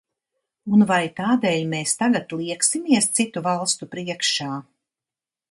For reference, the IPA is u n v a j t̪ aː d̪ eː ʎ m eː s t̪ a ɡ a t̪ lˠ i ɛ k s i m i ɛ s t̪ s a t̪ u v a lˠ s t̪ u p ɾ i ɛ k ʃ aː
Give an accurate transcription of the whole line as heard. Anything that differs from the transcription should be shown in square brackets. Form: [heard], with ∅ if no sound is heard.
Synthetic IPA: u n v a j t̪ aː d̪ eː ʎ m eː s t̪ a ɡ a t̪ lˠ i ɛ k s i m i ɛ s t̪ s [i] t̪ u v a lˠ s t̪ u p ɾ i ɛ k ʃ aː